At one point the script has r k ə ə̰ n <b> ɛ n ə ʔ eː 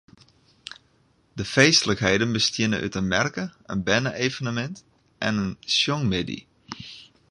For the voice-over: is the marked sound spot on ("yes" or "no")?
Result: yes